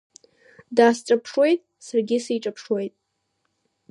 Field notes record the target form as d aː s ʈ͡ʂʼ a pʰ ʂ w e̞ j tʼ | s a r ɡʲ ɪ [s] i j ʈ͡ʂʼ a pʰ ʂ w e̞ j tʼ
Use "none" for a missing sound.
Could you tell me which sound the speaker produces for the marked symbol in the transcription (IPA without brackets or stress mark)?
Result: s